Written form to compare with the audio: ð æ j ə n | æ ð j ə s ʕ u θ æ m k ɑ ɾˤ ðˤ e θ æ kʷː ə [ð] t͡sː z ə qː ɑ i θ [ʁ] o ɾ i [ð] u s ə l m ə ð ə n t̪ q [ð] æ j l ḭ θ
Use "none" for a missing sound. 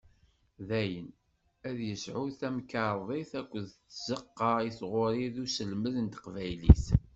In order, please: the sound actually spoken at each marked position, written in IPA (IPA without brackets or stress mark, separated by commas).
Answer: ð, ʁ, ð, v